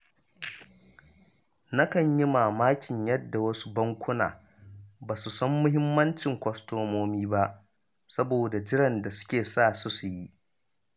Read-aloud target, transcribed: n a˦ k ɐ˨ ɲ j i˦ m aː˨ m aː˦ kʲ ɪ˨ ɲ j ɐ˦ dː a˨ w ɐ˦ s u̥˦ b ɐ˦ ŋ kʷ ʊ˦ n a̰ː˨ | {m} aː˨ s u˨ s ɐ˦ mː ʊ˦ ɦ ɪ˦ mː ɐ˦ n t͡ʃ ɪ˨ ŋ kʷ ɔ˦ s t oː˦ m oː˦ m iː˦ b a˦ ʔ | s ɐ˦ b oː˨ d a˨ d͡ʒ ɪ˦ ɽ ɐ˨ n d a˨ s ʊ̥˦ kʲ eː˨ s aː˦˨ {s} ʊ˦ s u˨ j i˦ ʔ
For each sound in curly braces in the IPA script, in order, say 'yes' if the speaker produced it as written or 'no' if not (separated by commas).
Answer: no, yes